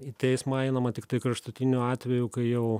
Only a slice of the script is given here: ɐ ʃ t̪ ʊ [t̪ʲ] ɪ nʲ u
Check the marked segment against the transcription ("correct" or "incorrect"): correct